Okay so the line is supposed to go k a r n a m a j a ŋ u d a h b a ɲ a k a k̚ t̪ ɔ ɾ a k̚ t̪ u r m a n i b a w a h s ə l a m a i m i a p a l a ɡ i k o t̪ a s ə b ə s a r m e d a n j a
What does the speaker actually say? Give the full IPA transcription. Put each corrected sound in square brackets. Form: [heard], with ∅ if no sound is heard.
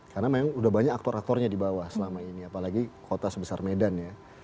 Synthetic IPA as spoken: k a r n a m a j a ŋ u d a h b a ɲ a k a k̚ t̪ ɔ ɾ a k̚ t̪ [ɔ] r [ɲ] a [d] i b a w a h s ə l a m a i [n] i a p a l a ɡ i k o t̪ a s ə b ə s a r m e d a n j a

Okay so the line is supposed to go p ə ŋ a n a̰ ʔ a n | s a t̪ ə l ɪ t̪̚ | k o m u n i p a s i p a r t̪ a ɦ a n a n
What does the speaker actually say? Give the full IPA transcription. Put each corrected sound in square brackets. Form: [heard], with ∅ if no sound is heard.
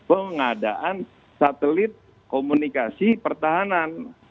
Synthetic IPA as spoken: p ə ŋ a [d] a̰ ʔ a n | s a t̪ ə l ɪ t̪̚ | k o m u n i [k] a s i p [ə] r t̪ a ɦ a n a n

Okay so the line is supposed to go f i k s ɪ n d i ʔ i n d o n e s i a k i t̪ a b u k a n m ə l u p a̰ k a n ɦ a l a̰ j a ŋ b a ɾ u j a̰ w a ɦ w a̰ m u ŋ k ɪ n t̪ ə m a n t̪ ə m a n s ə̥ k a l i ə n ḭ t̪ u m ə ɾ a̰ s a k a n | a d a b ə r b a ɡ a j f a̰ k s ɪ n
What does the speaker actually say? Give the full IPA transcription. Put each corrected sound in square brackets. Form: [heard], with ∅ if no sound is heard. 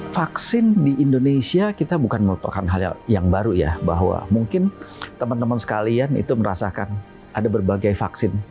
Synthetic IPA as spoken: f [a] k s ɪ n d i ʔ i n d o n e s i a k i t̪ a b u k a n m ə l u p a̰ k a n ɦ a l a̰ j a ŋ b a ɾ u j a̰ [b] a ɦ w a̰ m u ŋ k ɪ n t̪ ə m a n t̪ ə m a n s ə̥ k a l i [a] n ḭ t̪ u m ə ɾ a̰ s a k a n | a d a b ə r b a ɡ a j f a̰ k s ɪ n

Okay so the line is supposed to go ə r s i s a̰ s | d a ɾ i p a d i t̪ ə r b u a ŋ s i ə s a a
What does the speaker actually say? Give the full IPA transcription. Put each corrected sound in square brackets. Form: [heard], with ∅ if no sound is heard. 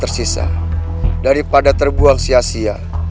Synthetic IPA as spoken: ə r s i s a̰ [∅] | d a ɾ i p a d [a] t̪ ə r b u a ŋ s i [a] s [i] a

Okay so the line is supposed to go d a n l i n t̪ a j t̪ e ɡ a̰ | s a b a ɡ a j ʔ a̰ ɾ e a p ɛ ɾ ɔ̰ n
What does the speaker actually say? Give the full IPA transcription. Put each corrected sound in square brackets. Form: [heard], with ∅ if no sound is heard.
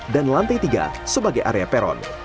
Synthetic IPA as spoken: d a n l [a] n t̪ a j t̪ [i] ɡ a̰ | s [ə] b a ɡ a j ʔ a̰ ɾ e a p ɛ ɾ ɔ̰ n

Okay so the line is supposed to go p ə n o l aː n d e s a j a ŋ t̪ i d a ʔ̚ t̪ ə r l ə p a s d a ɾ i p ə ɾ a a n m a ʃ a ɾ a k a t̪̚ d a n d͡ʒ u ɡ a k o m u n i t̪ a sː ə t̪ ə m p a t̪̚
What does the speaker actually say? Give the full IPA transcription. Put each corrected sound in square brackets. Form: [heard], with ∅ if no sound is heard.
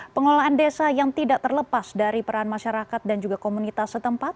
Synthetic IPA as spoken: p ə [ŋ] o l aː n d e s a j a ŋ t̪ i d a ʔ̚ t̪ ə r l ə p a s d a ɾ i p ə ɾ a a n m a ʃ a ɾ a k a t̪̚ d a n d͡ʒ u ɡ a k o m u n i t̪ a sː ə t̪ ə m p a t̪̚

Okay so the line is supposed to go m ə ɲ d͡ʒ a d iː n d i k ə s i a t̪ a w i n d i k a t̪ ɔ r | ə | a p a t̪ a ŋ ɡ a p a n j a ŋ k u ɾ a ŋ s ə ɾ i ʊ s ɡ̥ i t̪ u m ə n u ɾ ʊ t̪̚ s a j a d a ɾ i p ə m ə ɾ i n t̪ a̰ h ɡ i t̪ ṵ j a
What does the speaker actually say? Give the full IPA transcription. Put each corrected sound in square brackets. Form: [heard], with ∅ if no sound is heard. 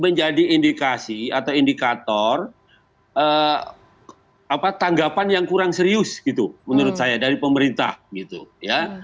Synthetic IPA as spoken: m ə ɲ d͡ʒ a d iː n d i k [a] s i a t̪ a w i n d i k a t̪ ɔ r | ə | a p a t̪ a ŋ ɡ a p a n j a ŋ k u ɾ a ŋ s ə ɾ i ʊ s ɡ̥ i t̪ u m ə n u ɾ ʊ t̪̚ s a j a d a ɾ i p ə m ə ɾ i n t̪ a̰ h ɡ i t̪ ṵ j a

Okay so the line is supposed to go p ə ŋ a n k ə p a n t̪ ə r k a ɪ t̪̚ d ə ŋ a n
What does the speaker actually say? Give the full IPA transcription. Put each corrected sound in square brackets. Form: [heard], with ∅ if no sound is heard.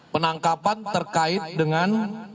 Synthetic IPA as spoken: p ə [n] a [ŋ] k [a] p a n t̪ ə r k a ɪ t̪̚ d ə ŋ a n

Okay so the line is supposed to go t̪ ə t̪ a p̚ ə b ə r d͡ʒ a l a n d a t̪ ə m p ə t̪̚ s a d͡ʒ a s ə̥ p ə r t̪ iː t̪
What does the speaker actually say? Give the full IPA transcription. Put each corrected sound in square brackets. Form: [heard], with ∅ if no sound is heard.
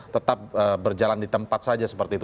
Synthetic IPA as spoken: t̪ ə t̪ a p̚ ə b ə r d͡ʒ a l a n d [i] t̪ ə m p [a] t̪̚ s a d͡ʒ a s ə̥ p ə r t̪ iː t̪

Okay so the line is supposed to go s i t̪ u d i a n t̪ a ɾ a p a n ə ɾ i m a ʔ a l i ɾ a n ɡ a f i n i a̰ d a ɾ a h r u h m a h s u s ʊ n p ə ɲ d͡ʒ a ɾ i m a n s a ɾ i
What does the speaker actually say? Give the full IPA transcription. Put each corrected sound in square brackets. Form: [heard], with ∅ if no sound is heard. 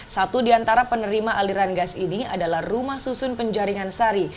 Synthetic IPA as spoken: s [a] t̪ u d i a n t̪ a ɾ a p [ə] n ə ɾ i m a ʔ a l i ɾ a n ɡ a [s] i n i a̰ d a [l] a h r u [∅] m a h s u s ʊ n p ə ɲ d͡ʒ a ɾ i [ŋ] a n s a ɾ i

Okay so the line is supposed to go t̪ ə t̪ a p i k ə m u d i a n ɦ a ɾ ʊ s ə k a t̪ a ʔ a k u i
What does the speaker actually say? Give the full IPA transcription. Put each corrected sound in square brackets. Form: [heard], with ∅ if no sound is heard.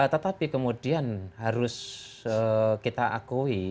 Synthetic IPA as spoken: t̪ ə t̪ a p i k ə m u d i a n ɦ a ɾ ʊ s ə k [i] t̪ a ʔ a k u i

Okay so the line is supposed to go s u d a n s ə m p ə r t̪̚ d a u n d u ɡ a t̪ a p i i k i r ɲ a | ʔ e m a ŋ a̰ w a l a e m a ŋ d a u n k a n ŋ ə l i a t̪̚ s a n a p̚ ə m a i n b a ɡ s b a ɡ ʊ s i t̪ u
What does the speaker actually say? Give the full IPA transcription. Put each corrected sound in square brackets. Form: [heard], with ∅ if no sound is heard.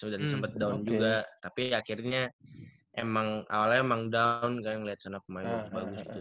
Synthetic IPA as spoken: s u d a n s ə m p ə [∅] t̪̚ d a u n [d͡ʒ] u ɡ a t̪ a p i [a] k i r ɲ a | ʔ e m a ŋ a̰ w a l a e m a ŋ d a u n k a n ŋ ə l i a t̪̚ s a n a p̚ ə m a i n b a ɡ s b a ɡ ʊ s i t̪ u

